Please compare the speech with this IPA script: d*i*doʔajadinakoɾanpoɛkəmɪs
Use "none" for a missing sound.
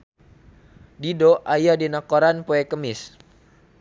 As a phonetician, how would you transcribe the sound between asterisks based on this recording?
i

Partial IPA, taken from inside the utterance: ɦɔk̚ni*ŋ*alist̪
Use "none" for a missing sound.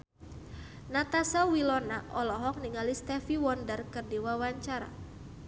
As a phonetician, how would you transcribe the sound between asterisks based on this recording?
ŋ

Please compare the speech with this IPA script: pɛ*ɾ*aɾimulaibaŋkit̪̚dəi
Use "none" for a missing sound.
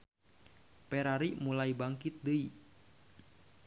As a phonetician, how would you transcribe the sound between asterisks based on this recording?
ɾ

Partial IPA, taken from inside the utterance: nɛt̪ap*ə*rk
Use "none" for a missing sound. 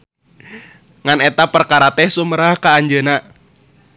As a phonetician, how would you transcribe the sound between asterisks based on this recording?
ə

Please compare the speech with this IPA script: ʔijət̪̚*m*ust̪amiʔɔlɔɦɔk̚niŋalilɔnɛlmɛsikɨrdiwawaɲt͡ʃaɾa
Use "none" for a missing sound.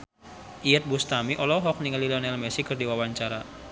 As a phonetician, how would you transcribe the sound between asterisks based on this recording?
b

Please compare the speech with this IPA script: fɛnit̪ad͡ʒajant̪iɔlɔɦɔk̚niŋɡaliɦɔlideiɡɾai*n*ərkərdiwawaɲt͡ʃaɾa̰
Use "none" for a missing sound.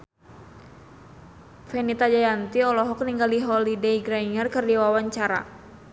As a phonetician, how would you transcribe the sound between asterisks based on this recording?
ŋ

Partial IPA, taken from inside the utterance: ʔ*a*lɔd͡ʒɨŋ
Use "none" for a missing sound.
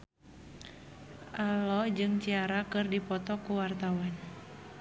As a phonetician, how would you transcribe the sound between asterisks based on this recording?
a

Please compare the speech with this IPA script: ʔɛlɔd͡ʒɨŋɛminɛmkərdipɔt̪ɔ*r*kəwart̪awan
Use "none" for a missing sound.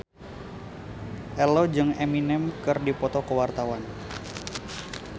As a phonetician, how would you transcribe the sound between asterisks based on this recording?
none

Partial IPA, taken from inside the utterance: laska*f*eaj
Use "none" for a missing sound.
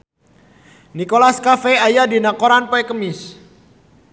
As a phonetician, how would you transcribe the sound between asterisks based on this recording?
f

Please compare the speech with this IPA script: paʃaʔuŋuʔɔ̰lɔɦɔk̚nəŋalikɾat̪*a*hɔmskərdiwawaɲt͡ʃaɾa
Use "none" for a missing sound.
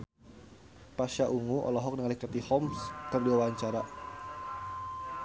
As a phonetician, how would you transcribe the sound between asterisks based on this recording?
i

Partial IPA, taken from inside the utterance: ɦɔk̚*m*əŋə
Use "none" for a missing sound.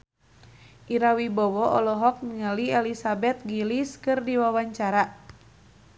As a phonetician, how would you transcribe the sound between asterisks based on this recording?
n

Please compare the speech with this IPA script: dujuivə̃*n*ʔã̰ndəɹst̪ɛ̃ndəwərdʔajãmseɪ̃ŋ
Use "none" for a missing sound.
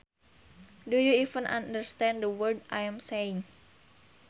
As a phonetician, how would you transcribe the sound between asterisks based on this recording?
n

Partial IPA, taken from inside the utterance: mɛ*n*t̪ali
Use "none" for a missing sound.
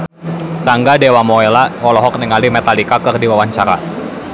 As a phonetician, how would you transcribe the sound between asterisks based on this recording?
none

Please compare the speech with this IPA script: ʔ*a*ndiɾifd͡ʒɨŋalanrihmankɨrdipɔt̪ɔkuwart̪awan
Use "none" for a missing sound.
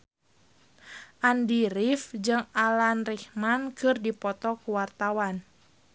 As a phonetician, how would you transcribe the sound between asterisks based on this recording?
a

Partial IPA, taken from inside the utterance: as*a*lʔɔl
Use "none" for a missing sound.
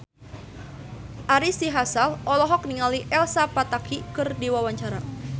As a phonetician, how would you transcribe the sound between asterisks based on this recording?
a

